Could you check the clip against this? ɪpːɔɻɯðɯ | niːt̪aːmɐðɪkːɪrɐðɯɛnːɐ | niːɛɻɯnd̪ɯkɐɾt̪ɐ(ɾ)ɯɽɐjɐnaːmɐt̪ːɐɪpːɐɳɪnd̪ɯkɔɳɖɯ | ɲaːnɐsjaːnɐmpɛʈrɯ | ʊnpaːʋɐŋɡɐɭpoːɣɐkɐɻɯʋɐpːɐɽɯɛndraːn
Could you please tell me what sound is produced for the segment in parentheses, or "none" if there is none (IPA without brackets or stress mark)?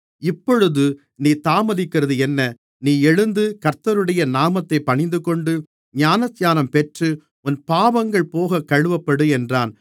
ɾ